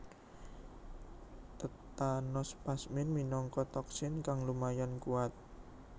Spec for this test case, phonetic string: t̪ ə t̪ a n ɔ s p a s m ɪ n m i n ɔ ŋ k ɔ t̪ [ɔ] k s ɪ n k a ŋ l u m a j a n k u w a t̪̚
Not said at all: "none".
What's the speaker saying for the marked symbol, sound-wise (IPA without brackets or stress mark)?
ɔ